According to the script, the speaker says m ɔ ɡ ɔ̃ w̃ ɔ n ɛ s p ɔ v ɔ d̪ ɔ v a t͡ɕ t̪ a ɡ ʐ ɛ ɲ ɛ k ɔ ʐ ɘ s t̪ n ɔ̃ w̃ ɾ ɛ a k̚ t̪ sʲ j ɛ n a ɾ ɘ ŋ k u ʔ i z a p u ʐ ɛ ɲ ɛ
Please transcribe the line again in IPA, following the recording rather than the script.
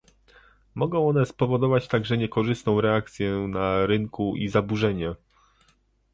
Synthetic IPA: m ɔ ɡ ɔ̃ w̃ ɔ n ɛ s p ɔ v ɔ d̪ ɔ v a t͡ɕ t̪ a ɡ ʐ ɛ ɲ ɛ k ɔ ʐ ɘ s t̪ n ɔ̃ w̃ ɾ ɛ a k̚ t̪ sʲ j ɛ n a ɾ ɘ ŋ k u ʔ i z a b u ʐ ɛ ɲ ɛ